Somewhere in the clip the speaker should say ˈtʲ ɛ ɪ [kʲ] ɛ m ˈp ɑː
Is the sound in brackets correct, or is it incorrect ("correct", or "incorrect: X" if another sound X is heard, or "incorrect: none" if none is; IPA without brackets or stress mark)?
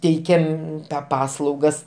correct